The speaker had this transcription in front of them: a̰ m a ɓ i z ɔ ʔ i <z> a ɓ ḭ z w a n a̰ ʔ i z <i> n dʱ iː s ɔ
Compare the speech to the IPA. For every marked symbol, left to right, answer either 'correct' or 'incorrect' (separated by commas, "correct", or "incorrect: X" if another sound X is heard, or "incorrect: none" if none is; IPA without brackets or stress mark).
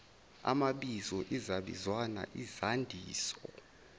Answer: correct, incorrect: a